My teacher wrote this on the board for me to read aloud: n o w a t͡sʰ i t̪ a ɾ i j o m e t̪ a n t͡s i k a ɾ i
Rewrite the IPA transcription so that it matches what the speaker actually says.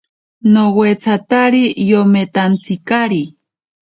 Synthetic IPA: n o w e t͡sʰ a t̪ a ɾ i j o m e t̪ a n t͡s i k a ɾ i